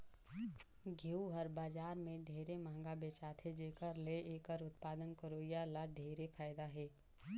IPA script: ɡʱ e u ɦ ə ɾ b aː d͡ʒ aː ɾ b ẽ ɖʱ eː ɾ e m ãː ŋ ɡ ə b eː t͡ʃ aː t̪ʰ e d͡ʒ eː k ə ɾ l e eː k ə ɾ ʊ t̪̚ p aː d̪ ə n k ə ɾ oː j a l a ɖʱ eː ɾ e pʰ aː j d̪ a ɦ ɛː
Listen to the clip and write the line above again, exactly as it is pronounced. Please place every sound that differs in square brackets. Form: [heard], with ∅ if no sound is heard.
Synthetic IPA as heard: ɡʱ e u ɦ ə ɾ b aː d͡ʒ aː ɾ [m] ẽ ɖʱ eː ɾ e m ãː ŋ ɡ [a] b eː t͡ʃ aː t̪ʰ e d͡ʒ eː k ə ɾ l e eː k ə ɾ ʊ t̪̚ p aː d̪ ə n k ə ɾ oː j a l a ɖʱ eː ɾ e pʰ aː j d̪ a ɦ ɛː